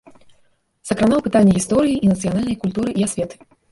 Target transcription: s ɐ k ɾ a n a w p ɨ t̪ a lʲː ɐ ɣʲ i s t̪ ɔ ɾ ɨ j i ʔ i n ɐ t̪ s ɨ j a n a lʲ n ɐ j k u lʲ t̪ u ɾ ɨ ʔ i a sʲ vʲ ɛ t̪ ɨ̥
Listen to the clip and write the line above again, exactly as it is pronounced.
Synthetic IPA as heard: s ɐ k ɾ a n a w p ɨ t̪ a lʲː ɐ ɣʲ i s t̪ ɔ ɾ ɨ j i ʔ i n ɐ t̪ s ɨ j a n a lʲ n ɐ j k u lʲ t̪ u ɾ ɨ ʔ i a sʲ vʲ ɛ t̪ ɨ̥